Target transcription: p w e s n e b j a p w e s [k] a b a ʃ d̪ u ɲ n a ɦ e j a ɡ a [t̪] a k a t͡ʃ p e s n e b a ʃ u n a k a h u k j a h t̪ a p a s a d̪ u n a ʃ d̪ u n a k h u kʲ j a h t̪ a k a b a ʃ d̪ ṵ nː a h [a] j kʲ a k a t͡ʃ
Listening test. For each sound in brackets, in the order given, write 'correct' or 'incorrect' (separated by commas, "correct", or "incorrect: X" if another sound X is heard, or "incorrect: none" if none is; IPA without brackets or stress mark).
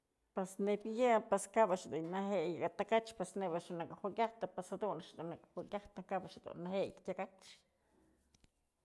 correct, correct, incorrect: e